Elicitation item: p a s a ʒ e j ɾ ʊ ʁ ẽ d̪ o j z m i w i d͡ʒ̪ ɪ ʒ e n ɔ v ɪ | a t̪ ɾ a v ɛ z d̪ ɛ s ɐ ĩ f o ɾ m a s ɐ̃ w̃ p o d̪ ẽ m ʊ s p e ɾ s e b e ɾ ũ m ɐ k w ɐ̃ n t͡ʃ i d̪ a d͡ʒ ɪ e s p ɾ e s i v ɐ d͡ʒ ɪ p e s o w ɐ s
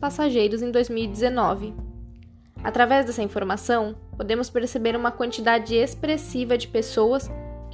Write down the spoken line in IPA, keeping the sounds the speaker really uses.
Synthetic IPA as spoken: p a s a ʒ e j ɾ ʊ z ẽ d̪ o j z m i w i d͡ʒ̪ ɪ z e n ɔ v ɪ | a t̪ ɾ a v ɛ z d̪ ɛ s ɐ ĩ f o ɾ m a s ɐ̃ w̃ p o d̪ ẽ m ʊ s p e ɾ s e b e ɾ ũ m ɐ k w ɐ̃ n t͡ʃ i d̪ a d͡ʒ ɪ e s p ɾ e s i v ɐ d͡ʒ ɪ p e s o w ɐ s